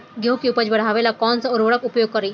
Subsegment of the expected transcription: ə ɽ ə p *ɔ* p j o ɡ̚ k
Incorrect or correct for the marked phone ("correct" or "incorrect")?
incorrect